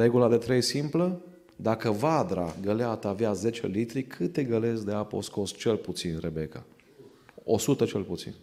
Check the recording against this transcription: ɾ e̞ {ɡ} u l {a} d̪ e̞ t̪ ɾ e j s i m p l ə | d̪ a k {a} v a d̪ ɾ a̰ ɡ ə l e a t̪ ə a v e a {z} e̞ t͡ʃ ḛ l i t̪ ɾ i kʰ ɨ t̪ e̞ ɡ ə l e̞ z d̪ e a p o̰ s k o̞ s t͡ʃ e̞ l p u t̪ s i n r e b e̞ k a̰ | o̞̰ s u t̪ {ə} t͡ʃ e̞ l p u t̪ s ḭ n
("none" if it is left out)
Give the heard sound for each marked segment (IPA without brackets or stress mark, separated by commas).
ɡ, a, ə, z, ə